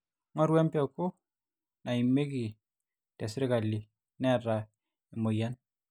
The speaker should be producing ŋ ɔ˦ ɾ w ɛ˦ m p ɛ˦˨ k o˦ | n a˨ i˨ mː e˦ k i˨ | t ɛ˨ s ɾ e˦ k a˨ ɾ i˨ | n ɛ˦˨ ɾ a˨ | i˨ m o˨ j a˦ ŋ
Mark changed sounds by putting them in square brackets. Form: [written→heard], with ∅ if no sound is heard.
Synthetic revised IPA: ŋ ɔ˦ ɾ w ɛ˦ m p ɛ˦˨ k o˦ | n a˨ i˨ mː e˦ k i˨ | t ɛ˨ s ɾ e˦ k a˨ [ɾ→l] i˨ | n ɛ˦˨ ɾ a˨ | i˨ m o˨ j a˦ [ŋ→n]

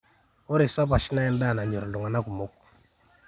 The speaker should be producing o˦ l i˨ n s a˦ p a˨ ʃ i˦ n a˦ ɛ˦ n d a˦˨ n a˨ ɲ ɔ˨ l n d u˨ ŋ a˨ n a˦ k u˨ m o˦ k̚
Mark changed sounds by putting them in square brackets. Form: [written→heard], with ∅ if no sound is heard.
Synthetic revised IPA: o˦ [l→ɾ] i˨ [n→∅] s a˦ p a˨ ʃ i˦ n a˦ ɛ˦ n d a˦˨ n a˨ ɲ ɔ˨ [l→ɾ] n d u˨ ŋ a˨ n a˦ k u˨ m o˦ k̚

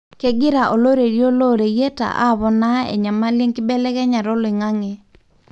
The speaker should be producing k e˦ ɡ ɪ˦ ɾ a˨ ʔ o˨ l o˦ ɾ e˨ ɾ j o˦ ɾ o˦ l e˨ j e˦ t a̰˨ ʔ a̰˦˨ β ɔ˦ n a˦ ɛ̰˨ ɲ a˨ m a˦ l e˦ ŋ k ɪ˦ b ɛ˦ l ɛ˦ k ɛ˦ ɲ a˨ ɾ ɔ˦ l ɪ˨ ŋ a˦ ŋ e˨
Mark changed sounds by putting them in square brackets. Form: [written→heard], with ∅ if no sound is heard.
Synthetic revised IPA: k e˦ ɡ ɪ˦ ɾ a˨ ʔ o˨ l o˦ ɾ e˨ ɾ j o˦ [ɾ→l] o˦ [l→ɾ] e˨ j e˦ t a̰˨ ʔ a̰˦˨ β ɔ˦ n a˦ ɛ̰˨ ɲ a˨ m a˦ l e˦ ŋ k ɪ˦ b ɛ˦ l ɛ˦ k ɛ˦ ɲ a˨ ɾ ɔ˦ l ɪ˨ ŋ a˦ ŋ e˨

